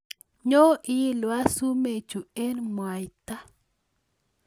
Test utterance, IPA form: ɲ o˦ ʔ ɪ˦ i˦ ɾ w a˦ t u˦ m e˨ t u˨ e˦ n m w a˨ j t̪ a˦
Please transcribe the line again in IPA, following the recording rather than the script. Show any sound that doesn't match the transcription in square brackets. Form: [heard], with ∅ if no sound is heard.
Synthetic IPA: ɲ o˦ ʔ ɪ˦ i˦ [l] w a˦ [s] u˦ m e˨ [t͡ʃ] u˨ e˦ n m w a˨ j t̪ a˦